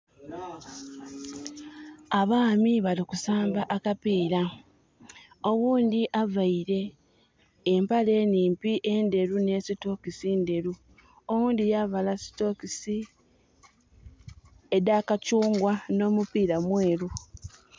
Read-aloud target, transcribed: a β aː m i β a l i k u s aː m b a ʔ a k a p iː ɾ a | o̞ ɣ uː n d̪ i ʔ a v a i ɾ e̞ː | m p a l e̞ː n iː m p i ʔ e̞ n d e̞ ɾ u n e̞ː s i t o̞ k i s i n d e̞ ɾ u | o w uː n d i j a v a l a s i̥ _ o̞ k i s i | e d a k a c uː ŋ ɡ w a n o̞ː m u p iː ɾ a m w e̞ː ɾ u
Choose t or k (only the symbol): t